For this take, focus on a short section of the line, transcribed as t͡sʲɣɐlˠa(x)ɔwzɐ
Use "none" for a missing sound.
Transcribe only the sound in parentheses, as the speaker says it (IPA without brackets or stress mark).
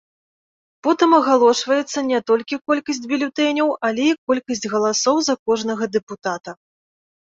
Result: s